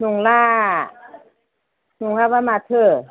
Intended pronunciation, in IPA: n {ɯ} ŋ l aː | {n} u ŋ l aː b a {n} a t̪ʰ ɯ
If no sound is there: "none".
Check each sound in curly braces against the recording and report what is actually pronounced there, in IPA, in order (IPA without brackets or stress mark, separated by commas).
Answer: u, n, m